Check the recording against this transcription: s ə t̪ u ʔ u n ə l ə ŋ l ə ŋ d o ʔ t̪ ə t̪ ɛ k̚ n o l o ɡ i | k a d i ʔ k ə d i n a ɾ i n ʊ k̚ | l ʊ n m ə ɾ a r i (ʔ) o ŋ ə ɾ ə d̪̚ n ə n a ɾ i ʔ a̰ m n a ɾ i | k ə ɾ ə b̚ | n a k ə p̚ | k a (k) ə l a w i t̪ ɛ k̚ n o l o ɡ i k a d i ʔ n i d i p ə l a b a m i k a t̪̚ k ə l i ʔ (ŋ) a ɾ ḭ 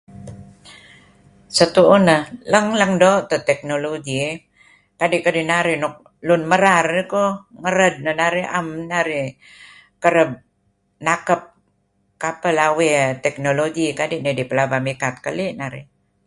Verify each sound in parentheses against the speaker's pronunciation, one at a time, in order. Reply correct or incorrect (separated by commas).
incorrect, incorrect, incorrect